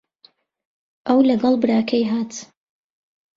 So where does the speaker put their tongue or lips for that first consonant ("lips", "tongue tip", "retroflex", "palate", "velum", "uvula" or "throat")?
throat